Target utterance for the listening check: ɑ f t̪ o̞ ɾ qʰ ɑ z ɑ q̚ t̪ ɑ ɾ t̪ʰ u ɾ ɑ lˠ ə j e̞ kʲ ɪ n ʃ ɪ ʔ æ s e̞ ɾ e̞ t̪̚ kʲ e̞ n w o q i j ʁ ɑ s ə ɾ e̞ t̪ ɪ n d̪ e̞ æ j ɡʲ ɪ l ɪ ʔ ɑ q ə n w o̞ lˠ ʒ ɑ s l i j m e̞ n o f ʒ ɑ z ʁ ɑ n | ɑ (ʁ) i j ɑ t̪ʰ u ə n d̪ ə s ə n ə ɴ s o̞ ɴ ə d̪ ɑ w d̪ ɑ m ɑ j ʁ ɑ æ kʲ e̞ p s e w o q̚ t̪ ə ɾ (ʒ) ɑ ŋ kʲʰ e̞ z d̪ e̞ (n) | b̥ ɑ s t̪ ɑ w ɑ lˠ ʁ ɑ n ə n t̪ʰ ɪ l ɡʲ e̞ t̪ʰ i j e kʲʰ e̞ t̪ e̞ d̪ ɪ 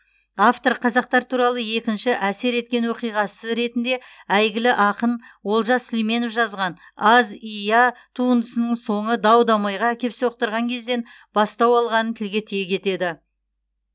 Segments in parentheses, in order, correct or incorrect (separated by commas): incorrect, incorrect, correct